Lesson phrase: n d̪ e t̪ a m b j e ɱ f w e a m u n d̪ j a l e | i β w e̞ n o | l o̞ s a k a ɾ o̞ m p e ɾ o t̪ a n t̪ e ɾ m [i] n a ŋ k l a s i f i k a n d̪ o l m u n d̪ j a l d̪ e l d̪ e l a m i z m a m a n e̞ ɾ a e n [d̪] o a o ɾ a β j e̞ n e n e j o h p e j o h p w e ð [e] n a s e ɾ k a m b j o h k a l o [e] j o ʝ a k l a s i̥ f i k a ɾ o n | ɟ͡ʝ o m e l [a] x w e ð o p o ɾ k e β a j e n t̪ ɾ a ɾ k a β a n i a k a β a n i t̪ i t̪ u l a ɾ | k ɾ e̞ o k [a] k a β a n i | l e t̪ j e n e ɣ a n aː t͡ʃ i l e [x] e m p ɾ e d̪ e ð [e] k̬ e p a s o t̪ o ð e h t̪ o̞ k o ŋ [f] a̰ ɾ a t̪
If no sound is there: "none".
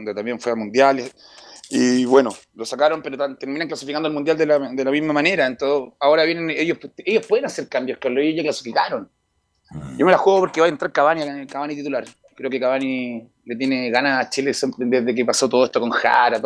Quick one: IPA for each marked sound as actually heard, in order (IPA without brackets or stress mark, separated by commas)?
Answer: i, t̪, e, e, a, e, s, e, x